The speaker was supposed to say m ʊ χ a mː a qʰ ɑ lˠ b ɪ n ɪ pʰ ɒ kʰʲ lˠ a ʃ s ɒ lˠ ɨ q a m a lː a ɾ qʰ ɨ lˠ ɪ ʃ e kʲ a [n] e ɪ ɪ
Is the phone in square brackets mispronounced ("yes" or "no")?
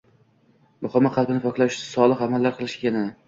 no